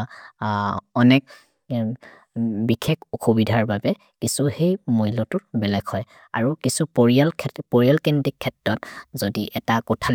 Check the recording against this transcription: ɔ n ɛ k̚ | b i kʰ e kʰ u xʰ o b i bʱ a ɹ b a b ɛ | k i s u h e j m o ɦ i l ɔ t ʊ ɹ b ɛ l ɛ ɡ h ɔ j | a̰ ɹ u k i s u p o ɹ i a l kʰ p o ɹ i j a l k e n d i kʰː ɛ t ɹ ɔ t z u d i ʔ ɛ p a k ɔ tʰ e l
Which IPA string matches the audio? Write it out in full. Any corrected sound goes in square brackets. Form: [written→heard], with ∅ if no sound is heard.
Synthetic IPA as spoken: ɔ n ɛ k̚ | b i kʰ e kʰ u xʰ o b i [bʱ→dʱ] a ɹ b a b ɛ | k i s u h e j m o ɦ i l ɔ t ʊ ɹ b ɛ l ɛ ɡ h ɔ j | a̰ ɹ u k i s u p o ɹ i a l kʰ p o ɹ i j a l k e n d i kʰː ɛ t ɹ ɔ t z [u→o] d i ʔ ɛ [p→t] a k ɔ tʰ [e→a] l